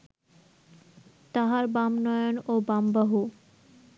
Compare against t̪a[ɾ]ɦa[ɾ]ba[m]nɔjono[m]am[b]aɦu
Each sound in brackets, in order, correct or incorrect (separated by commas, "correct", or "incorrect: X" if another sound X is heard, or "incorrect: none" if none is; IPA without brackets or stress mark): incorrect: none, correct, correct, incorrect: b, correct